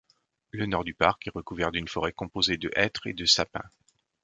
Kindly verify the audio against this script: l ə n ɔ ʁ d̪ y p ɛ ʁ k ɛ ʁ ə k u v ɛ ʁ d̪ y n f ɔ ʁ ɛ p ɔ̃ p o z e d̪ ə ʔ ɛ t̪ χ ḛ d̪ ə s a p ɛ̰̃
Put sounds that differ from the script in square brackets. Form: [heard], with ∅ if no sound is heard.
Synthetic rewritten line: l ə n ɔ ʁ d̪ y p [a] ʁ k ɛ ʁ ə k u v ɛ ʁ d̪ y n f ɔ ʁ ɛ [k] ɔ̃ p o z e d̪ ə ʔ ɛ t̪ χ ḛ d̪ ə s a p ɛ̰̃